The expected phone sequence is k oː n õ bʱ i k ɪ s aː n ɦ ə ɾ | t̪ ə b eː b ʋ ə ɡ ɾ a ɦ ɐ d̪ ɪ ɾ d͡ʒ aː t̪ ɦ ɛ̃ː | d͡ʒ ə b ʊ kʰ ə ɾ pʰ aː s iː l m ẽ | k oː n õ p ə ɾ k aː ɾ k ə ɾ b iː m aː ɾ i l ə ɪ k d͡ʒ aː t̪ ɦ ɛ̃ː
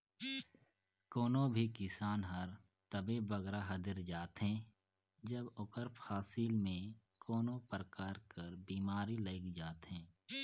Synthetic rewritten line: k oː n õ bʱ i k ɪ s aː n ɦ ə ɾ | t̪ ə b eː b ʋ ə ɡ ɾ a ɦ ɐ d̪ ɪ ɾ d͡ʒ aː t̪ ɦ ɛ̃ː | d͡ʒ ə b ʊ k ə ɾ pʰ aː s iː l m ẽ | k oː n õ p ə ɾ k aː ɾ k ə ɾ b iː m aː ɾ i l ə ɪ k d͡ʒ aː t̪ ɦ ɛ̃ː

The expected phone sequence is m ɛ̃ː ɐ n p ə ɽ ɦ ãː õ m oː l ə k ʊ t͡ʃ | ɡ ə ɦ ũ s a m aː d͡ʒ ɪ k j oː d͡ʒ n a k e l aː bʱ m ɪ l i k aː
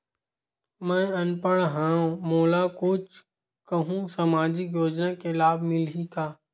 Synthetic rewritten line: m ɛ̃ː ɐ n p ə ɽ ɦ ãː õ m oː l a k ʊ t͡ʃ | k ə ɦ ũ s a m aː d͡ʒ ɪ k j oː d͡ʒ n a k e l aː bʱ m ɪ l i k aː

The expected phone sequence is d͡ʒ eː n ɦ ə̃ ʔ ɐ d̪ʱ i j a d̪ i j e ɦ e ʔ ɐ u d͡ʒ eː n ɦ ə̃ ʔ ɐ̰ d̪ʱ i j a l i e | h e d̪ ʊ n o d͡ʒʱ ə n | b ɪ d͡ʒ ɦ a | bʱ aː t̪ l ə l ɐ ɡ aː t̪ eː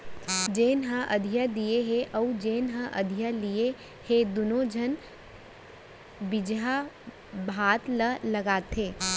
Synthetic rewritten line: d͡ʒ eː n ɦ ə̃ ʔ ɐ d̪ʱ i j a d̪ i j e ɦ e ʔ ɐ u d͡ʒ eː n ɦ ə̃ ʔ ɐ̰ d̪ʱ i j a l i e | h e d̪ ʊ n o d͡ʒʱ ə n | b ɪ d͡ʒ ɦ a | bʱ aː t̪ l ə l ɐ ɡ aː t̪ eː

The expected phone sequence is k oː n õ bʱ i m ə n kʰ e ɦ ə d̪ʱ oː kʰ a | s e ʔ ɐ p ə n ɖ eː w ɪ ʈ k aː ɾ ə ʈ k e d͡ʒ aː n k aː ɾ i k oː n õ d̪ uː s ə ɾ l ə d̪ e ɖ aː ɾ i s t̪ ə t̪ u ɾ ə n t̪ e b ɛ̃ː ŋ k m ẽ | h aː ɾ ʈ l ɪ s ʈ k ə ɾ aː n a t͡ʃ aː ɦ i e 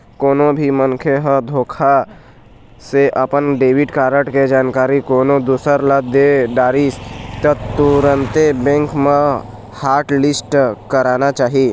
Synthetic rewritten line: k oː n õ bʱ i m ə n kʰ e ɦ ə d̪ʱ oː kʰ a | s e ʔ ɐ p ə n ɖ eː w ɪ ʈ k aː ɾ ə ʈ k e d͡ʒ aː n k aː ɾ i k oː n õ d̪ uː s ə ɾ l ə d̪ e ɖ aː ɾ i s t̪ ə t̪ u ɾ ə n t̪ e b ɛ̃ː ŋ k m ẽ | h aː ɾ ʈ l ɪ s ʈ k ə ɾ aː n a t͡ʃ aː ɦ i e

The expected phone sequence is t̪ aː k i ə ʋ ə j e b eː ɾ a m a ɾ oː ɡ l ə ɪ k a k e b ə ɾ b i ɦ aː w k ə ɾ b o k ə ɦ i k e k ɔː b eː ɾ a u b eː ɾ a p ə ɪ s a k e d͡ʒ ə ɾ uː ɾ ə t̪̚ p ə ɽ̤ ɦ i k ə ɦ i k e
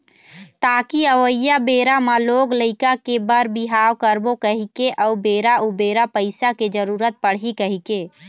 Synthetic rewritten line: t̪ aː k i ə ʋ ə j a b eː ɾ a m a l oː ɡ l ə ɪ k a k e b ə ɾ b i ɦ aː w k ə ɾ b o k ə ɦ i k e ʔ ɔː b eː ɾ a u b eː ɾ a p ə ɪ s a k e d͡ʒ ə ɾ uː ɾ ə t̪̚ p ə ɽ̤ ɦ i k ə ɦ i k e

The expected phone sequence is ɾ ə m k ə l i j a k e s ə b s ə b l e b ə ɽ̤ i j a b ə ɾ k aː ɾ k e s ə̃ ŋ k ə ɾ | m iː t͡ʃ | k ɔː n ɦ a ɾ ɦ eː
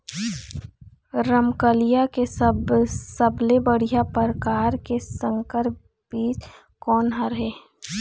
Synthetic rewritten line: ɾ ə m k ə l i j a k e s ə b s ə b l e b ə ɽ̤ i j a p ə ɾ k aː ɾ k e s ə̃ ŋ k ə ɾ | b iː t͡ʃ | k ɔː n ɦ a ɾ ɦ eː

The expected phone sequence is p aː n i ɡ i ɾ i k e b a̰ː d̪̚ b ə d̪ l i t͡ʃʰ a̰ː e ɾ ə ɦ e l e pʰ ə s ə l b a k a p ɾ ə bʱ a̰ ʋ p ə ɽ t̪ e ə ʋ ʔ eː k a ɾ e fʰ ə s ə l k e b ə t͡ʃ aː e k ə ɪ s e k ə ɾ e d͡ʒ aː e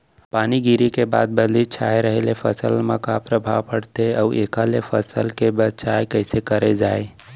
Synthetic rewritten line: p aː n i ɡ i ɾ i k e b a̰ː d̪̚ b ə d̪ l i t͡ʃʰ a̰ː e ɾ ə ɦ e l e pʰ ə s ə l m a k a p ɾ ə bʱ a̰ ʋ p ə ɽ t̪ e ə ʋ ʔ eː k a l e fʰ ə s ə l k e b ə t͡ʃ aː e k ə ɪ s e k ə ɾ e d͡ʒ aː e

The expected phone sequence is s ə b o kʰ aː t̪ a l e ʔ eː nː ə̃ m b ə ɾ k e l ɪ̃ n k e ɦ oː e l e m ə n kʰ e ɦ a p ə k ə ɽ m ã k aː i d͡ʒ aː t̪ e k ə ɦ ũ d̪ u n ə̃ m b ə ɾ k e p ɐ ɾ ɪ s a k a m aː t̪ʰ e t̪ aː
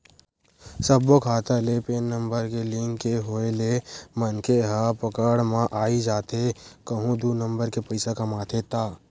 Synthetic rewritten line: s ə b o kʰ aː t̪ a l e p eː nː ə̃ m b ə ɾ k e l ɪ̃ ŋ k e ɦ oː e l e m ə n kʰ e ɦ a p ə k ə ɽ m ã ʔ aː i d͡ʒ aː t̪ e k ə ɦ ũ d̪ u n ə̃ m b ə ɾ k e p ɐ ɪ s a k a m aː t̪ʰ e t̪ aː

